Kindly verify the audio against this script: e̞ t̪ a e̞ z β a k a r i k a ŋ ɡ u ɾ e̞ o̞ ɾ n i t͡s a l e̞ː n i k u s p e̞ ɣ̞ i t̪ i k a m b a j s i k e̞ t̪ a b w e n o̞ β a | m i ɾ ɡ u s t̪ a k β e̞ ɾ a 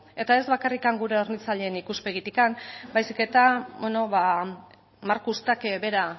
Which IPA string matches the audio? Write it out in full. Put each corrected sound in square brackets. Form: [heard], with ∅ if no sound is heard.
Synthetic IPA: e̞ t̪ a e̞ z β a k a r i k a ŋ ɡ u ɾ e̞ o̞ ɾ n i t͡s a [ʎ] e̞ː n i k u s p e̞ ɣ̞ i t̪ i k a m b a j s i k e̞ t̪ a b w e n o̞ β a | m [a] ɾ [k] u s t̪ a k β e̞ ɾ a